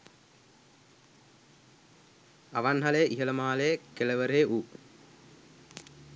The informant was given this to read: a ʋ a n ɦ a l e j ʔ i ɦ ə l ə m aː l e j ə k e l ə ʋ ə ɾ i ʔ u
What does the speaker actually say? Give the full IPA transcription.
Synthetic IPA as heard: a ʋ a n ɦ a l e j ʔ i ɦ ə l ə m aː l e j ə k e l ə ʋ ə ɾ e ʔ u